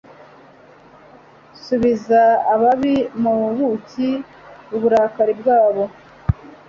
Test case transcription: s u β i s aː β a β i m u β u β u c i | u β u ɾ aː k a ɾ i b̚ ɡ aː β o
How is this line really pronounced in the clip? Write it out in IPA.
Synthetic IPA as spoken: s u β i z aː β a β i m u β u β u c i | u β u ɾ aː k a ɾ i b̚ ɡ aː β o

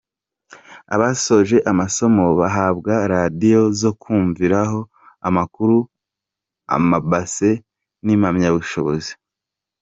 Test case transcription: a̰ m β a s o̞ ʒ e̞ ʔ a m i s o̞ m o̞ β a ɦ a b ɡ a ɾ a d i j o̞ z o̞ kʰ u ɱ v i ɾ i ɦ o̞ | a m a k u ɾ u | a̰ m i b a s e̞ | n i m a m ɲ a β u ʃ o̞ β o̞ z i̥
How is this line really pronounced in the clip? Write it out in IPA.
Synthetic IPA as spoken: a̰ β a s o̞ ʒ e̞ ʔ a m a s o̞ m o̞ β a ɦ a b ɡ a ɾ a d i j o̞ z o̞ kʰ uː ɱ v i ɾ a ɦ o̞ | a m a k u ɾ u | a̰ m a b a s e̞ | n i m a m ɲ a β u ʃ o̞ β o̞ z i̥

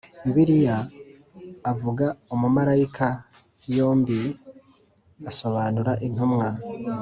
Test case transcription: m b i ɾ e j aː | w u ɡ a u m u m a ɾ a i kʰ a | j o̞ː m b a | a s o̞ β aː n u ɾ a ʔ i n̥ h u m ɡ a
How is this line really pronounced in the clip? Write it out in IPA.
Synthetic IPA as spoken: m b i ɾ i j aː | v u ɡ a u m u m a ɾ a i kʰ a | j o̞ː m b i | a s o̞ β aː n u ɾ a ʔ i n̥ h u m ŋ a

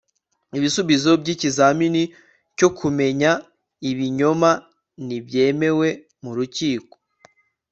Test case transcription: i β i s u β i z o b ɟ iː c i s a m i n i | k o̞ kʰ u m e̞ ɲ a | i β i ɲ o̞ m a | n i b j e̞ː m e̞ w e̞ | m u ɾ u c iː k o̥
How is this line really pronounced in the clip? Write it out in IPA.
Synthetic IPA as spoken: i β i s u β i z o b ɟ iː c i z a m i n i | c o̞ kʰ u m e̞ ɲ a | i β i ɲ o̞ m a | n i b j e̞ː m e̞ w e̞ | m u ɾ u c iː k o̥

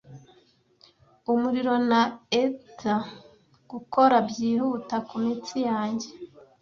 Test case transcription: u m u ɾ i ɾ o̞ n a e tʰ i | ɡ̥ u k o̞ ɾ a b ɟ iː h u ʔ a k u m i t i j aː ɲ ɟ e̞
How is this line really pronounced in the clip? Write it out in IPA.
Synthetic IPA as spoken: u m u ɾ i ɾ o̞ n a e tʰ a | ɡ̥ u k o̞ ɾ a b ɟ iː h u t a k u m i t͡s i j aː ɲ ɟ e̞

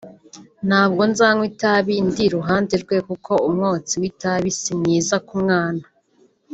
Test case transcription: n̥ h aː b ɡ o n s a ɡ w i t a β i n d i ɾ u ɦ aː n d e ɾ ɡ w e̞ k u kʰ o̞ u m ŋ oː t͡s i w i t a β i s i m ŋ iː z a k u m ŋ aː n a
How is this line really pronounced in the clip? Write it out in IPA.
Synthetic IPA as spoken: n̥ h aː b ɡ o n z a ŋ w i t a β i n d i ɾ u ɦ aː n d e ɾ ɡ w e̞ k u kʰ o̞ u m ŋ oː t͡s i w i t a β i s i m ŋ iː z a k u m ŋ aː n a

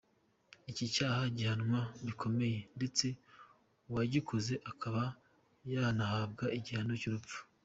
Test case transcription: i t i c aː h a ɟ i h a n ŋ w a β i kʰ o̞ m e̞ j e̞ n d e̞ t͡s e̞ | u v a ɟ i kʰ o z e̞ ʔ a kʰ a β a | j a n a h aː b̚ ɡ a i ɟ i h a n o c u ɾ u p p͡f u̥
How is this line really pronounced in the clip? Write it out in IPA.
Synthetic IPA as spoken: i c i c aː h a ɟ i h a n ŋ w a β i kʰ o̞ m e̞ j e̞ n d e̞ t͡s e̞ | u w a ɟ i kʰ o z e̞ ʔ a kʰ a β a | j a n a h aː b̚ ɡ a i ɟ i h a n o c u ɾ u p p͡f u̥

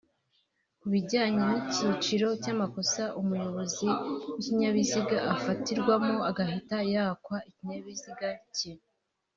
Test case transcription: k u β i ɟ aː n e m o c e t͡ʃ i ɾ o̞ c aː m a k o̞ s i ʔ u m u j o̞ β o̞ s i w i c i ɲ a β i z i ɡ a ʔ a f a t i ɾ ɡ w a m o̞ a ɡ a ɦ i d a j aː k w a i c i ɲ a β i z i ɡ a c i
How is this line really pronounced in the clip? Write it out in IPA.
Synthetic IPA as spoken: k u β i ɟ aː ɲ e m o c i t͡ʃ i ɾ o̞ c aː m a k o̞ s a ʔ u m u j o̞ β o̞ z i w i c i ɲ a β i z i ɡ a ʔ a f a t i ɾ ɡ w a m o̞ a ɡ a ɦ i t a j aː k w a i c i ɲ a β i z i ɡ a c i

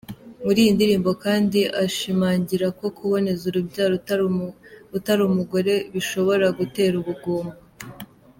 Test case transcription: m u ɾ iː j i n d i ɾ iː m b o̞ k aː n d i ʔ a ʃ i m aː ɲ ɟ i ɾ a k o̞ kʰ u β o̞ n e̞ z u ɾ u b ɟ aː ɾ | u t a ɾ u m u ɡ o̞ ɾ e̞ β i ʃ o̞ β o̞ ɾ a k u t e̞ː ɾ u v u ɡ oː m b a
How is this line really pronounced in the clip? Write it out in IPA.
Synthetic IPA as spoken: m u ɾ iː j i n d i ɾ iː m b o̞ k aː n d i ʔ a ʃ i m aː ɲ ɟ i ɾ a k o̞ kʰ u β o̞ n e̞ z u ɾ u b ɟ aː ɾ | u t a ɾ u m u ɡ o̞ ɾ e̞ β i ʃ o̞ β o̞ ɾ a ɡ u t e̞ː ɾ u β u ɡ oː m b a

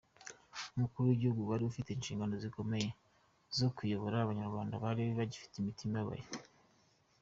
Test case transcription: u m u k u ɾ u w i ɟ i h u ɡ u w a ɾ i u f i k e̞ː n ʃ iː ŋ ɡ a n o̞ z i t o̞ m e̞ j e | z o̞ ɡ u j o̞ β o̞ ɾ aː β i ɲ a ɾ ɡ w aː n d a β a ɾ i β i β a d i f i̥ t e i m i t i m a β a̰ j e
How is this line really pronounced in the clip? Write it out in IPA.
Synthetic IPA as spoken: u m u k u ɾ u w i ɟ i h u ɡ u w a ɾ i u f i t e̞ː n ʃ iː ŋ ɡ a n o̞ z i k o̞ m e̞ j e | z o̞ k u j o̞ β o̞ ɾ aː β a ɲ a ɾ ɡ w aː n d a β a ɾ i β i β a ɟ i f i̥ t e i m i t i m a β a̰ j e

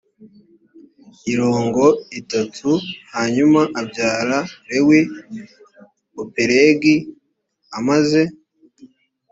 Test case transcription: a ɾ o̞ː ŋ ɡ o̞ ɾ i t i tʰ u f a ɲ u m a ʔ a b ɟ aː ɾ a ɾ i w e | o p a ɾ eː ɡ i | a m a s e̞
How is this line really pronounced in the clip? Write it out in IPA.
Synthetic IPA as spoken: i ɾ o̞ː ŋ ɡ o̞ i t a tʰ u h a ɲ u m a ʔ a b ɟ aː ɾ a ɾ e w e | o p e ɾ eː ɡ i | a m a z e̞

